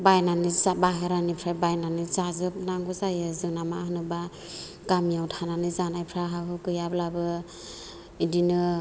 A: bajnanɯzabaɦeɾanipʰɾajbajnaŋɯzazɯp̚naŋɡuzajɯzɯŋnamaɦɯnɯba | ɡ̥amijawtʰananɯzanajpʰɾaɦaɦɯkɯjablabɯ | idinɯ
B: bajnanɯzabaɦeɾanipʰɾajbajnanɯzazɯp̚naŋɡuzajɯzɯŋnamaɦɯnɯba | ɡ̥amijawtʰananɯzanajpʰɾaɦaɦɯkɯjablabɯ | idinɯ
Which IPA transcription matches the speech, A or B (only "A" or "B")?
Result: B